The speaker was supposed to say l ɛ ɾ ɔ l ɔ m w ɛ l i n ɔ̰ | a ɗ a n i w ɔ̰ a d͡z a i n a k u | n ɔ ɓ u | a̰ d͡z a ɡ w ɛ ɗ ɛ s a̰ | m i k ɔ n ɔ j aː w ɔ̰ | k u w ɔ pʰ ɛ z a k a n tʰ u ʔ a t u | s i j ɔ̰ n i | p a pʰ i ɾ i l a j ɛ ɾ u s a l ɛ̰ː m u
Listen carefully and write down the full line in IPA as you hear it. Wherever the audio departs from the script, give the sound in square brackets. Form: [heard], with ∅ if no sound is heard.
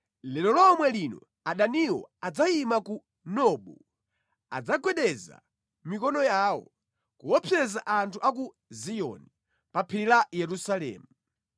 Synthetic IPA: l ɛ [l] ɔ l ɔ m w ɛ l i n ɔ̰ | a ɗ a n i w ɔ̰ a d͡z a i [m] a k u | n ɔ ɓ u | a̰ d͡z a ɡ w ɛ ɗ ɛ [z] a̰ | m i k ɔ n ɔ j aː w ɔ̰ | k u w ɔ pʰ ɛ z a [ʔ] a n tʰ u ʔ a [k] u | [z] i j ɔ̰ n i | p a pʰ i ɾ i l a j ɛ ɾ u s a l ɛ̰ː m u